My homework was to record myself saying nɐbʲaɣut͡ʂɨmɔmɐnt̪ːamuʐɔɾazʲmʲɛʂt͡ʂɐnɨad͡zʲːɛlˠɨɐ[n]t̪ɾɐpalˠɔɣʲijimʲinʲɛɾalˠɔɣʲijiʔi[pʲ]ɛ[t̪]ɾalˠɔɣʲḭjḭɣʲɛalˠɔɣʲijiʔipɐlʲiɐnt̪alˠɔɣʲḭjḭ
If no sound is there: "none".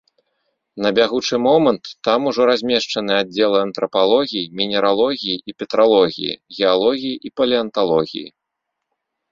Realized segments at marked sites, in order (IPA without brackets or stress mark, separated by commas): n, pʲ, t̪